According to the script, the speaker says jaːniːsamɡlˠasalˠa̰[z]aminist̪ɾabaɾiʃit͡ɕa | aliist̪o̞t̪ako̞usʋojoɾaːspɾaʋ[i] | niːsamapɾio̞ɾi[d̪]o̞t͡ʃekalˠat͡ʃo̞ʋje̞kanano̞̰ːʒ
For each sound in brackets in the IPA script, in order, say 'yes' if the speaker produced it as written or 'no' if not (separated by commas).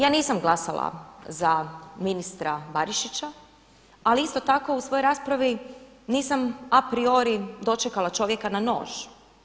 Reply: yes, yes, yes